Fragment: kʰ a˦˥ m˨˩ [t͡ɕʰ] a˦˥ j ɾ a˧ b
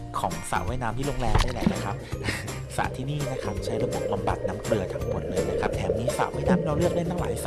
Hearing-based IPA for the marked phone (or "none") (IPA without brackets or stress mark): t͡ɕʰ